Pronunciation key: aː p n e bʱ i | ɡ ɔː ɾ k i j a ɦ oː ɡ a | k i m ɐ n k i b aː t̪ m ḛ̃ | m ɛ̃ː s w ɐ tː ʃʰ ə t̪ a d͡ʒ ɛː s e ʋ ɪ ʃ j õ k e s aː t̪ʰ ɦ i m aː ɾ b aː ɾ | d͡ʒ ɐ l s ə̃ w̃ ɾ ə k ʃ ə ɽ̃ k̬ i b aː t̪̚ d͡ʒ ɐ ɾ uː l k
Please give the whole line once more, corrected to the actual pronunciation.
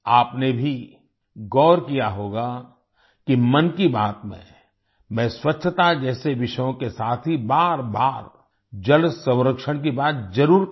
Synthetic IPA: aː p n e bʱ i | ɡ ɔː ɾ k i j a ɦ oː ɡ a | k i m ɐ n k i b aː t̪ m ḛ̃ | m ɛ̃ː s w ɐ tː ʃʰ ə t̪ a d͡ʒ ɛː s e ʋ ɪ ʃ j õ k e s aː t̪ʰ ɦ i b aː ɾ b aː ɾ | d͡ʒ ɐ l s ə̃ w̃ ɾ ə k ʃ ə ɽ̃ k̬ i b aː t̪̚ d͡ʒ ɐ ɾ uː ɾ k

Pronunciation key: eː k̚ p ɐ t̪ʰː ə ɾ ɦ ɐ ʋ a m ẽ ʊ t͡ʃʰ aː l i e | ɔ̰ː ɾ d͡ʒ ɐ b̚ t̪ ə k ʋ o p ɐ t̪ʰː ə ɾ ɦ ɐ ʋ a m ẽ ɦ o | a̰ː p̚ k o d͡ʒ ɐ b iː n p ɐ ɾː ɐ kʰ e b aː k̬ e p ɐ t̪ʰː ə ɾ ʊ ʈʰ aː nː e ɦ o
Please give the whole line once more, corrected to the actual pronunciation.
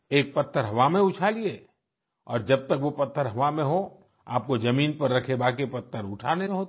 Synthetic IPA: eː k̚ p ɐ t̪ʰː ə ɾ ɦ ɐ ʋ a m ẽ ʊ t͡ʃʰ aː l i e | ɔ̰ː ɾ d͡ʒ ɐ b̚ t̪ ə k ʋ o p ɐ t̪ʰː ə ɾ ɦ ɐ ʋ a m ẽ ɦ o | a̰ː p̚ k o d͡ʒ ɐ m iː n p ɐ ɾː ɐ kʰ e b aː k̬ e p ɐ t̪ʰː ə ɾ ʊ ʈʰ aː n e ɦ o

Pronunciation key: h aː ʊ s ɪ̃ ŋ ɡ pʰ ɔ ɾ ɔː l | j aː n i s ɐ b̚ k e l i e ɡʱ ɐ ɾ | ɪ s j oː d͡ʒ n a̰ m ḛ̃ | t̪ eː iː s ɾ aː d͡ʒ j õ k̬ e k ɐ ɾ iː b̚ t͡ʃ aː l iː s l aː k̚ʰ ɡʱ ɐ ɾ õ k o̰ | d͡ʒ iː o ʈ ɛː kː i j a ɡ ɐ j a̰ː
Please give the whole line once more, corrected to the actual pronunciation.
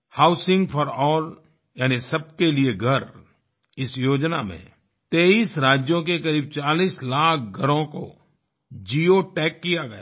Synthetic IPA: h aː ʊ s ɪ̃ ŋ ɡ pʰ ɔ ɾ ɔː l | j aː n i s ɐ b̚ k e l i e ɡʱ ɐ ɾ | ɪ s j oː d͡ʒ n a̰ m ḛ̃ | t̪ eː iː s ɾ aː d͡ʒ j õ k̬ e k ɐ ɾ iː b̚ t͡ʃ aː l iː s l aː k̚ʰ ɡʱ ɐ ɾ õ k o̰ | d͡ʒ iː o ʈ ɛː kː i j a ɡ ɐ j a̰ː

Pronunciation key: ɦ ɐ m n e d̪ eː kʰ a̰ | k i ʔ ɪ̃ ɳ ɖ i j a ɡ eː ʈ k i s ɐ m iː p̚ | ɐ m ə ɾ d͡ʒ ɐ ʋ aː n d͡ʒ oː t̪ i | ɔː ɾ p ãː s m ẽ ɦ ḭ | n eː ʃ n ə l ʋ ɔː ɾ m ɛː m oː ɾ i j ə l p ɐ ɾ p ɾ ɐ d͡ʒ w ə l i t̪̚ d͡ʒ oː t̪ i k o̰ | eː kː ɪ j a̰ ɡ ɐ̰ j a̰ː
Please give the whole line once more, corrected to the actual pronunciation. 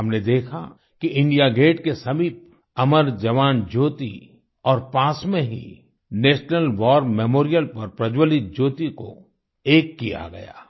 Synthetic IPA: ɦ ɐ m n e d̪ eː kʰ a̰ | k i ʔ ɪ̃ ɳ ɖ i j a ɡ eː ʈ k e s ɐ m iː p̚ | ɐ m ə ɾ d͡ʒ ɐ ʋ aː n d͡ʒ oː t̪ i | ɔː ɾ p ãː s m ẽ ɦ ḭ | n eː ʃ n ə l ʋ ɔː ɾ m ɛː m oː ɾ i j ə l p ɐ ɾ p ɾ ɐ d͡ʒ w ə l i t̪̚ d͡ʒ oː t̪ i k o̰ | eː kː i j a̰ ɡ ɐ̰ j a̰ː

